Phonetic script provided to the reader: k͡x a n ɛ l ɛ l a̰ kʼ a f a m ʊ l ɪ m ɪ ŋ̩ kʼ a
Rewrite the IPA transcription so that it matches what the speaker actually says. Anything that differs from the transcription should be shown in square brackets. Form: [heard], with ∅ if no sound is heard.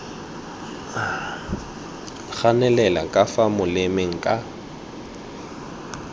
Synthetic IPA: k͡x a n ɛ l ɛ l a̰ kʼ a f a m ʊ l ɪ m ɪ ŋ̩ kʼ a